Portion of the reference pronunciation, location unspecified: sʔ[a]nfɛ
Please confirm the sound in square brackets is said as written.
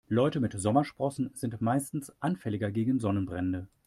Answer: yes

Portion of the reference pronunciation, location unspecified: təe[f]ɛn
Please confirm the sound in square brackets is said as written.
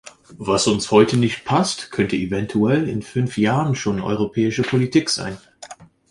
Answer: no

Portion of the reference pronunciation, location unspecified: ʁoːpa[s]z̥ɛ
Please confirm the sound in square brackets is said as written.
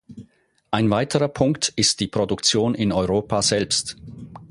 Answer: no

